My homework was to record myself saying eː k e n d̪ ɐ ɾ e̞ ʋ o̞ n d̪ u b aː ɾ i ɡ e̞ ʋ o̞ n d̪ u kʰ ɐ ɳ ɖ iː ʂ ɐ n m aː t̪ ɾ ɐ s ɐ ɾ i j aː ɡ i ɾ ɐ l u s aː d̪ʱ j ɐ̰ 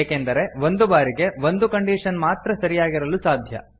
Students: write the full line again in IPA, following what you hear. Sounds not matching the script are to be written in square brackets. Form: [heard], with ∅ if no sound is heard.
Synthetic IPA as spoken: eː k e n d̪ ɐ ɾ e̞ ʋ o̞ n d̪ u b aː ɾ i ɡ e̞ ʋ o̞ n d̪ u [k] ɐ ɳ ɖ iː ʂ ɐ n m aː t̪ ɾ ɐ s ɐ ɾ i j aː ɡ i ɾ ɐ l u s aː d̪ʱ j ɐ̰